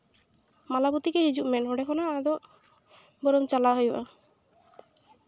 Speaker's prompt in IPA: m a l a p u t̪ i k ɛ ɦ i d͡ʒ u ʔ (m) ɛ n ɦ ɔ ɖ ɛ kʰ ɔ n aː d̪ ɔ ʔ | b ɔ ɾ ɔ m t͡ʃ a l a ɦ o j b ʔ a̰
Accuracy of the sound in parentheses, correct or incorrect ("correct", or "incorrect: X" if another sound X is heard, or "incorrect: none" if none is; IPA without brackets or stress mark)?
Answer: correct